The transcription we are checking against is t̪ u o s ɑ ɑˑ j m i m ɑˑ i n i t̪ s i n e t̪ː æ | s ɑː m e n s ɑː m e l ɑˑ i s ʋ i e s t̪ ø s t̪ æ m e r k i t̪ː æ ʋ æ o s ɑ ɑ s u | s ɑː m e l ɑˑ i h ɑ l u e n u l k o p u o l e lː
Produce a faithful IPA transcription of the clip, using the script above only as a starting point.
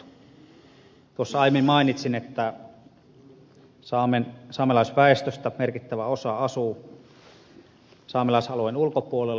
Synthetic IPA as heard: t̪ u o sː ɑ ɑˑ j m i m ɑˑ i n i t̪ s i n e t̪ː æ | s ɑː m e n s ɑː m e l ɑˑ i s ʋ æ e s t̪ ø s t̪ æ m e r k i t̪ː æ ʋ æ o s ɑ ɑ s u | s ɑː m e l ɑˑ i s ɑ l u e n u l k o p u o l e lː